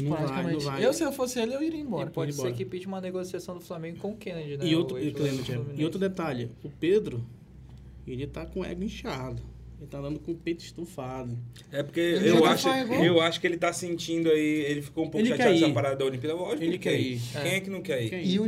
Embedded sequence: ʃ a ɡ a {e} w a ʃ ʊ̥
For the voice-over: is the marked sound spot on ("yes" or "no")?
yes